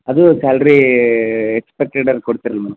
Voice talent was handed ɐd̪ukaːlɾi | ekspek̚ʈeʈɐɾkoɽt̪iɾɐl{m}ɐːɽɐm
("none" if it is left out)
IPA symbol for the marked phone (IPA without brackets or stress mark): m